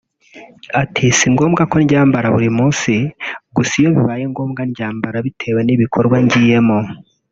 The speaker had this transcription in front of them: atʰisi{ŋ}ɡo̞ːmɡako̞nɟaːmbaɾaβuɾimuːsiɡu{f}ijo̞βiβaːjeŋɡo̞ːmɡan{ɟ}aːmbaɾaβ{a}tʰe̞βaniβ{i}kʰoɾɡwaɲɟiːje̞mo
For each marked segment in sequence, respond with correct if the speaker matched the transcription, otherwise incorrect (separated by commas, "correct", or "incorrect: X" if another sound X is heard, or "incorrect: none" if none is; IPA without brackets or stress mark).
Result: correct, incorrect: s, correct, incorrect: i, correct